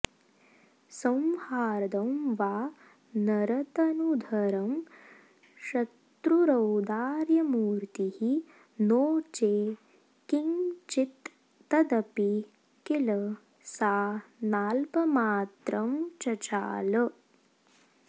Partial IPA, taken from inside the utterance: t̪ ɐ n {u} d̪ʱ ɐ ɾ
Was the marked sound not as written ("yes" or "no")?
no